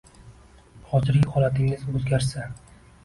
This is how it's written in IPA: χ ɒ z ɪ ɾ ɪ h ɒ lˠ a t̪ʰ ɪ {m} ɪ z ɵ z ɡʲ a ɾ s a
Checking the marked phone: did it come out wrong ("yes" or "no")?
yes